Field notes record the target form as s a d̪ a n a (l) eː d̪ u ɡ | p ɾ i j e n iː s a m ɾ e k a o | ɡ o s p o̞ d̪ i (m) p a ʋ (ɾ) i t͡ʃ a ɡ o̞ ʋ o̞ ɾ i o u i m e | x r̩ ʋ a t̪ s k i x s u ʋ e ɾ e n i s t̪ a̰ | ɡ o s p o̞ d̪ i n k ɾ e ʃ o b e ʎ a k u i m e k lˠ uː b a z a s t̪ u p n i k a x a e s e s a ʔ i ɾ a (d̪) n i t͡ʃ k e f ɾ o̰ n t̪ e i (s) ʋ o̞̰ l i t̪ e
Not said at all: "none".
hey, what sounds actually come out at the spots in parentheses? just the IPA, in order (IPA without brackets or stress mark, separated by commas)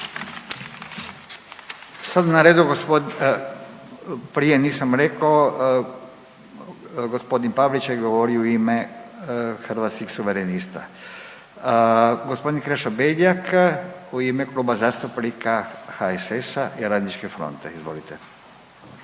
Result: ɾ, n, l, d̪, z